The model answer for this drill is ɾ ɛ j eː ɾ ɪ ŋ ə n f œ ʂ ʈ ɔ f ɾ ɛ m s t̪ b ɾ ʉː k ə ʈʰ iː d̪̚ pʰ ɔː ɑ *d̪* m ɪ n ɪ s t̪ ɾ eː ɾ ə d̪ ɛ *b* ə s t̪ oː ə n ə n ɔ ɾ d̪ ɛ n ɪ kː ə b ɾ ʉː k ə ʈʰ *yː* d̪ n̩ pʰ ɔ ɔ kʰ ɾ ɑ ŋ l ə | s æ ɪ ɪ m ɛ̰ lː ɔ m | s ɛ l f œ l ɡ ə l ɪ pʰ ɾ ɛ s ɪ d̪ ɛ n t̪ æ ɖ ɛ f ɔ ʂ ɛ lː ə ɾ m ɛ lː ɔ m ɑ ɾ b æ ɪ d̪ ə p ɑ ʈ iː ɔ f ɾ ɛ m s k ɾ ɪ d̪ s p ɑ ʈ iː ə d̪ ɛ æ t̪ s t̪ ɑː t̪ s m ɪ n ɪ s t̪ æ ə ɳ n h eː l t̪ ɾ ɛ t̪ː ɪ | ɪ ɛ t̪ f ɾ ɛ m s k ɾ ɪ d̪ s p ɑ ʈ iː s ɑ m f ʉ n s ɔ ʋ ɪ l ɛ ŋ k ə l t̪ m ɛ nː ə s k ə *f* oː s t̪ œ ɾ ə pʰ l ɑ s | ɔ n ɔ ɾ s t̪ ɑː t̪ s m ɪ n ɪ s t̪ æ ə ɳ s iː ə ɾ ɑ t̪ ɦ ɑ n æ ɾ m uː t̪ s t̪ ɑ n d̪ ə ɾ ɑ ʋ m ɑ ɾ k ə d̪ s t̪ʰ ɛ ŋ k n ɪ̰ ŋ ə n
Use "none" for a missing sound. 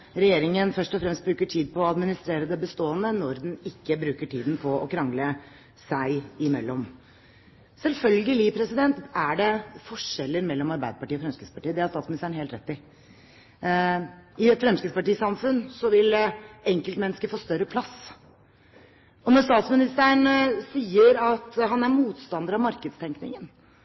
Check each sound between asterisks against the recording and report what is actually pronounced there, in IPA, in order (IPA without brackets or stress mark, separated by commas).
d̪, b, iː, f